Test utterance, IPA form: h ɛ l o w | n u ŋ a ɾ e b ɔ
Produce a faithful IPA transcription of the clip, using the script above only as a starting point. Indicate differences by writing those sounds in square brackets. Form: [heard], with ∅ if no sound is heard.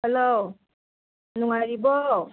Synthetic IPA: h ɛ l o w | n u ŋ a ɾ [i] b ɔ